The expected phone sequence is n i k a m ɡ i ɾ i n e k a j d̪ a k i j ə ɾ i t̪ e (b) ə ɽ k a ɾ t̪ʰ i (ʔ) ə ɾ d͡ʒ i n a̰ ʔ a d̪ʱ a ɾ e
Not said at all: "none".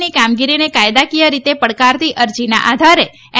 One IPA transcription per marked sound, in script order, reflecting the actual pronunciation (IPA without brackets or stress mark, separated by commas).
p, ʔ